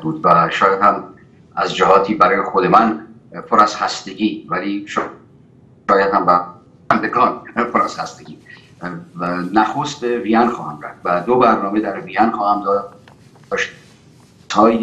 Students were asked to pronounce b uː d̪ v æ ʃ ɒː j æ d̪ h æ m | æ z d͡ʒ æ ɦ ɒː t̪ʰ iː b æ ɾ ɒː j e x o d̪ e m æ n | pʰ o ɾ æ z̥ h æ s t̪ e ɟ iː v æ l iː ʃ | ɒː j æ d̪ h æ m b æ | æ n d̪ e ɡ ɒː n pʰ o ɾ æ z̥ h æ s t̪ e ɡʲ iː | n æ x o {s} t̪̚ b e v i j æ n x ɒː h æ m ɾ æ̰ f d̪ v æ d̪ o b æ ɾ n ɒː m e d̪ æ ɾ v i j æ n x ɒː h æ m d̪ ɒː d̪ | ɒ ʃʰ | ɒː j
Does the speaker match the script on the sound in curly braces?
yes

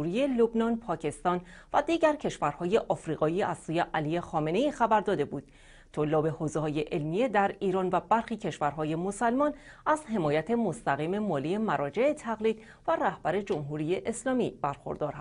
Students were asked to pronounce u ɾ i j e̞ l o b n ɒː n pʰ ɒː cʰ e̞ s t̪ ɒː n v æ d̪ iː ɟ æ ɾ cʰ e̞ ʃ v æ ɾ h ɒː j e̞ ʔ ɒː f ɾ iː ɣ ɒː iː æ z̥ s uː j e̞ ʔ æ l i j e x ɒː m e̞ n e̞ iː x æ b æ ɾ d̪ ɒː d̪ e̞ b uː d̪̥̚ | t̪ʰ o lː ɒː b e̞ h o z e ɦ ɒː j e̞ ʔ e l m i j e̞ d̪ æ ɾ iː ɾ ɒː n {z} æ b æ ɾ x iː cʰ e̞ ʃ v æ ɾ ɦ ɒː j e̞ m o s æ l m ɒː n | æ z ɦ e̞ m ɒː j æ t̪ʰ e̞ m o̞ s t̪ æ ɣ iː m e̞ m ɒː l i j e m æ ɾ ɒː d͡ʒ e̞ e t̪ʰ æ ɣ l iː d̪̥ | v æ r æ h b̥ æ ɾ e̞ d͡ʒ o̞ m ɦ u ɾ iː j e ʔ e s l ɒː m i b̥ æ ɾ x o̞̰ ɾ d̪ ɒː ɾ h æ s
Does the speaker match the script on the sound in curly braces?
no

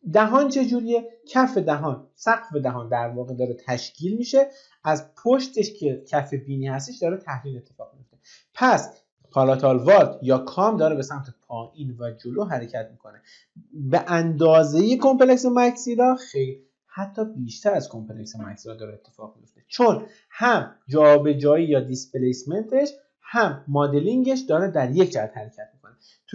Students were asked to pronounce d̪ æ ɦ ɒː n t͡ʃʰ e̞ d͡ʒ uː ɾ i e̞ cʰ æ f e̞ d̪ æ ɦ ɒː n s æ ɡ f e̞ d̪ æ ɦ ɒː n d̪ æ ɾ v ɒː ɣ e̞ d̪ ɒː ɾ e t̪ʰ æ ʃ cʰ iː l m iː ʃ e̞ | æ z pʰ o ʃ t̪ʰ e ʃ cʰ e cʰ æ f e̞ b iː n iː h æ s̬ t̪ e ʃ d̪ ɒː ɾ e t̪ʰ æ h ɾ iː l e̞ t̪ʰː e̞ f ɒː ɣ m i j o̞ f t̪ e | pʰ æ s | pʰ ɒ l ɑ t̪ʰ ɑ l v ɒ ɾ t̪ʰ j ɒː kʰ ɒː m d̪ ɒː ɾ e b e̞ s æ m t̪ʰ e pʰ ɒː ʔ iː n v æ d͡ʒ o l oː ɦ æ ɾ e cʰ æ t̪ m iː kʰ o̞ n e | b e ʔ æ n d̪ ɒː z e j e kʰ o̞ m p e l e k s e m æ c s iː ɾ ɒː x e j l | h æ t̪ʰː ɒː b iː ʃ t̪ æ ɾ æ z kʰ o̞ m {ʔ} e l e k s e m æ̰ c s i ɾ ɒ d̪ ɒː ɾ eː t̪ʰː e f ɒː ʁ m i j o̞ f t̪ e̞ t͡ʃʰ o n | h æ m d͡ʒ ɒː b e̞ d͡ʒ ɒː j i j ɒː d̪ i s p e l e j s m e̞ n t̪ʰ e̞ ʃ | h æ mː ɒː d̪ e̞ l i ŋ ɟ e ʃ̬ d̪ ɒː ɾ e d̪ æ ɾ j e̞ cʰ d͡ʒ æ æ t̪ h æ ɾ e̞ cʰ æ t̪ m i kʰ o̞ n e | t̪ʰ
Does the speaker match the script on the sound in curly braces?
no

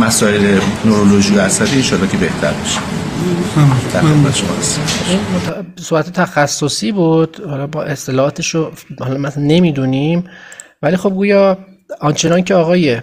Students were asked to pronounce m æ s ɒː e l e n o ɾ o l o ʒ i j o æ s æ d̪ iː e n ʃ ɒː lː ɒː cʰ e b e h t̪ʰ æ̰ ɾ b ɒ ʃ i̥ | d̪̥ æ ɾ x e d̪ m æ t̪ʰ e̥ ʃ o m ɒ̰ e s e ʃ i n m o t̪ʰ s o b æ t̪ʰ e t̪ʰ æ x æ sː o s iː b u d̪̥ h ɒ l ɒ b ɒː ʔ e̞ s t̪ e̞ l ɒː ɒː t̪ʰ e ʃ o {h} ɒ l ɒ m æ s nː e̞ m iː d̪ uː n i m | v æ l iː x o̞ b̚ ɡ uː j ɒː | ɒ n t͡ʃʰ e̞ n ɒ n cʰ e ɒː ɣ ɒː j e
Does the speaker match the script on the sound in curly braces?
yes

